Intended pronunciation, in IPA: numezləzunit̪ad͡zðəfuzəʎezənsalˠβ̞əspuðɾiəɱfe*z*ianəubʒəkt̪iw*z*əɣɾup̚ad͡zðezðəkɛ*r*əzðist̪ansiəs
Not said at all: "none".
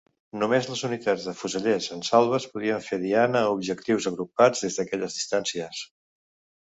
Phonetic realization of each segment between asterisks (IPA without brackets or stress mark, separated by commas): ð, z, ʎ